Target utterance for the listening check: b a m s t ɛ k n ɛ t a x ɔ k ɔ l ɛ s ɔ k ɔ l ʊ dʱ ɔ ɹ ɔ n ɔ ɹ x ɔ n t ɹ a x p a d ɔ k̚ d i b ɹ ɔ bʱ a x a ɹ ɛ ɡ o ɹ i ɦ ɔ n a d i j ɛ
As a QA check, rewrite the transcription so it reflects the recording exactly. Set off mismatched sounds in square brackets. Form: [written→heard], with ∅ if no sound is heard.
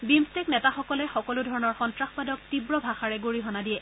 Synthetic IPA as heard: b [a→i] m s t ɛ k n ɛ t a x ɔ k ɔ l ɛ [s→x] ɔ k ɔ l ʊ dʱ ɔ ɹ ɔ n ɔ ɹ x ɔ n t ɹ a x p a d ɔ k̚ [d→t] i b ɹ ɔ bʱ a x a ɹ ɛ ɡ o ɹ i ɦ ɔ n a d i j ɛ